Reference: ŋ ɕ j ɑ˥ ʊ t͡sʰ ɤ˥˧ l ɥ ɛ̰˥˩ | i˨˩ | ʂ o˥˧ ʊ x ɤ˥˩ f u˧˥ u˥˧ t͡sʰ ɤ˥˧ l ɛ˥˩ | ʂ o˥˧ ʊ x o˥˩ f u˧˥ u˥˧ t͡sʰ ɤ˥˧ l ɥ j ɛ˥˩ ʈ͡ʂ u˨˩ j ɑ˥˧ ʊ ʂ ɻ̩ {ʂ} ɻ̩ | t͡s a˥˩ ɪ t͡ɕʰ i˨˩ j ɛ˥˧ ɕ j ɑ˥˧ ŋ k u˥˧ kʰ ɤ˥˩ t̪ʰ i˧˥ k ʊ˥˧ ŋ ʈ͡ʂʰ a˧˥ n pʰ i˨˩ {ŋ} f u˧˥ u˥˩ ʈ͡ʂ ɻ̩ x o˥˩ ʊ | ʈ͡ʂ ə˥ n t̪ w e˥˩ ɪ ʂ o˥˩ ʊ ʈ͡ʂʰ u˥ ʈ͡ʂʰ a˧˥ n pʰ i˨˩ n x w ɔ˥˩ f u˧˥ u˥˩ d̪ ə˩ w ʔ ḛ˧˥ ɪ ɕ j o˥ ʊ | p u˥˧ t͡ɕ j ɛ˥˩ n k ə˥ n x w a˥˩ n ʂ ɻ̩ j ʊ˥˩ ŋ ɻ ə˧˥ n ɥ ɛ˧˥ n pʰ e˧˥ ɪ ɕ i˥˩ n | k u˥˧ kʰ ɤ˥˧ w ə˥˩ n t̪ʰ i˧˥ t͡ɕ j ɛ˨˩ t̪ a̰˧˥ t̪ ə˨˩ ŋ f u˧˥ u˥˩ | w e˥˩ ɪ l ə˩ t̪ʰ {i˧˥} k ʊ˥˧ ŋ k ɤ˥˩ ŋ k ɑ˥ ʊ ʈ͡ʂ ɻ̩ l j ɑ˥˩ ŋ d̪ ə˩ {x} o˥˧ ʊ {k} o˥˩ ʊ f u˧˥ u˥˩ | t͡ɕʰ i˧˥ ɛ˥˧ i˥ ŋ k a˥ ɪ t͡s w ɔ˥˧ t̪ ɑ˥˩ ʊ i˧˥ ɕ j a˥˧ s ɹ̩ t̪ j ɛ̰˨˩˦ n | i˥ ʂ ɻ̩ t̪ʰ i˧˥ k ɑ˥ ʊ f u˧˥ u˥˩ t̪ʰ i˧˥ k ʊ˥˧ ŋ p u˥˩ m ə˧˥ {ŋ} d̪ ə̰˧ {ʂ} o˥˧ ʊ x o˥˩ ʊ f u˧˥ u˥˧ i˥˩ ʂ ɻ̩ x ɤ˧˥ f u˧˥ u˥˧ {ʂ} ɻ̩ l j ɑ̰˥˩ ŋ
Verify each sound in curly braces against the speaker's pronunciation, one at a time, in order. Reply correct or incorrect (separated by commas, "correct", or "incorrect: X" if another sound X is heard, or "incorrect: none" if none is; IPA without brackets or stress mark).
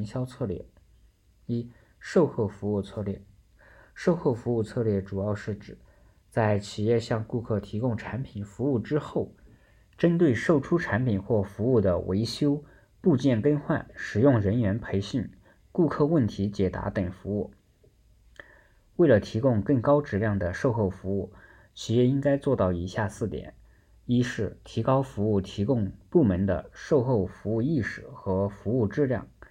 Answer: incorrect: ʈ͡ʂ, incorrect: n, correct, incorrect: ʂ, incorrect: x, incorrect: n, correct, incorrect: ʈ͡ʂ